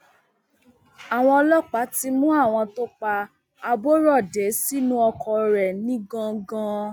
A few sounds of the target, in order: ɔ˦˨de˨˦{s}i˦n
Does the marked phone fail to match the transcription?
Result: no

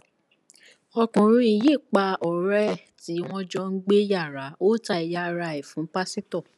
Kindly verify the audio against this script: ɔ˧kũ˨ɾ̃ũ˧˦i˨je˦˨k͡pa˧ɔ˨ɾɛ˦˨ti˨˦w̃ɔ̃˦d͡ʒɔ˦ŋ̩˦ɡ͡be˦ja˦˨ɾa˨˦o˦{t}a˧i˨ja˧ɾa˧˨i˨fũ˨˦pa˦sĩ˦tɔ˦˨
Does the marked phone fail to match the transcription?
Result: no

